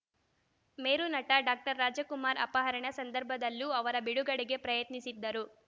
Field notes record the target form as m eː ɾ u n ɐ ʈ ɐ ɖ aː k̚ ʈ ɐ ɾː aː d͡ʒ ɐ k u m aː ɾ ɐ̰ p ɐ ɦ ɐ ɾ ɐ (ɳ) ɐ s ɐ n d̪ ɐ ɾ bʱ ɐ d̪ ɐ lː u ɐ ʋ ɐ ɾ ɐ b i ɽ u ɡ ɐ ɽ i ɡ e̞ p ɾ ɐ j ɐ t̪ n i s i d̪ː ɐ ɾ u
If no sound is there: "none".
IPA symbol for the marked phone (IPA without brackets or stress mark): ɳ